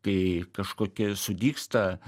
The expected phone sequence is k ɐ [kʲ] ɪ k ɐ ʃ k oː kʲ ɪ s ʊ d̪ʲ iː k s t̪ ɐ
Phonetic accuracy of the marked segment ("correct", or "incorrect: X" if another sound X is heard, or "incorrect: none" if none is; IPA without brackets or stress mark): incorrect: none